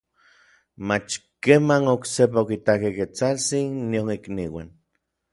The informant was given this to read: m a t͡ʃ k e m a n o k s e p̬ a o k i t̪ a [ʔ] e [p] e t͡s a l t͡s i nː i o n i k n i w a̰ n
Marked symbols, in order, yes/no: no, no

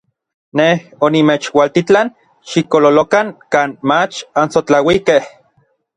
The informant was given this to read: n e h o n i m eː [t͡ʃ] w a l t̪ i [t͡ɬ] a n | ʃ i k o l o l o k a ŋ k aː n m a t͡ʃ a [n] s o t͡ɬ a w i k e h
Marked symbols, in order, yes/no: yes, yes, yes

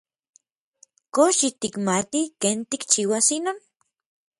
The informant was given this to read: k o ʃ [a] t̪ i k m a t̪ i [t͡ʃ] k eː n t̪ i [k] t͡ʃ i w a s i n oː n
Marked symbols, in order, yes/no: no, no, yes

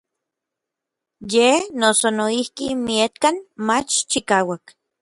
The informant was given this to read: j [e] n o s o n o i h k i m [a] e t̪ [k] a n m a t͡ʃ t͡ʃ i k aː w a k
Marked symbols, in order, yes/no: yes, no, yes

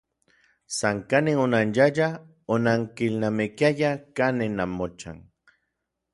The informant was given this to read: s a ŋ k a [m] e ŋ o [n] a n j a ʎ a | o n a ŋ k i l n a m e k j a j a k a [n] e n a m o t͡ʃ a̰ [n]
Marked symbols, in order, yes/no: no, yes, yes, no

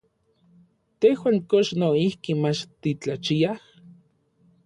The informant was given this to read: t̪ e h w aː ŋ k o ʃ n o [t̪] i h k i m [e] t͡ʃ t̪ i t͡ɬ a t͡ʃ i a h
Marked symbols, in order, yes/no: no, no

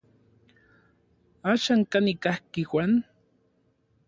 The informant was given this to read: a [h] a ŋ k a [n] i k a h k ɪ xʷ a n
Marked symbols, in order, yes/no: no, yes

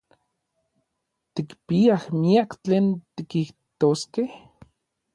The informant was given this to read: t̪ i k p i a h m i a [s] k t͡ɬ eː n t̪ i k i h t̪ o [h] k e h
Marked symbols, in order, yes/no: no, no

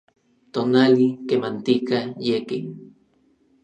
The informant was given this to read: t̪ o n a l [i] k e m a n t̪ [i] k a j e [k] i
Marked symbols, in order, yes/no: yes, yes, yes

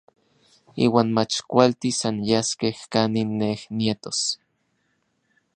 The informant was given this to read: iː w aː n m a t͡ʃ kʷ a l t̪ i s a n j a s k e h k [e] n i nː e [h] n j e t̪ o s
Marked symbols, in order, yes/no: no, yes

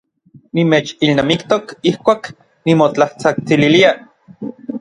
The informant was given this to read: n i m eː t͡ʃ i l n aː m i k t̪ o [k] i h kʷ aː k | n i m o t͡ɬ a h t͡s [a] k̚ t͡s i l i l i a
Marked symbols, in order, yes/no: yes, yes

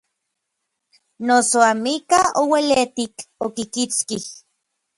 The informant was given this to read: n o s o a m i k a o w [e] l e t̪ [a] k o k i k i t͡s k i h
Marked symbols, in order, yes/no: yes, no

